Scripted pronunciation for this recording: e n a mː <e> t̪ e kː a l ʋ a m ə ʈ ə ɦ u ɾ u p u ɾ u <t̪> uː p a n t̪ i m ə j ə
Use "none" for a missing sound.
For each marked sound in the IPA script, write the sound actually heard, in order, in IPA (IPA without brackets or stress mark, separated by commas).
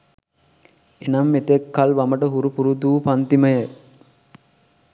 e, d̪